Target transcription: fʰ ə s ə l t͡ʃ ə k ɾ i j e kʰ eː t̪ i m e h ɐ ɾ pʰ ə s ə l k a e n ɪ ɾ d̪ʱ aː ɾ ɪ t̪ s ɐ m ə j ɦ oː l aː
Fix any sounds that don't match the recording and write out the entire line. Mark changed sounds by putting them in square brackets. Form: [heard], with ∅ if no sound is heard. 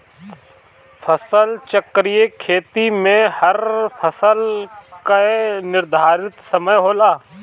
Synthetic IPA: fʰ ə s ə l t͡ʃ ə k ɾ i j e kʰ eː t̪ i m [ẽ] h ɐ ɾ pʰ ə s ə l k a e n ɪ ɾ d̪ʱ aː ɾ ɪ t̪ s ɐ m ə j ɦ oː l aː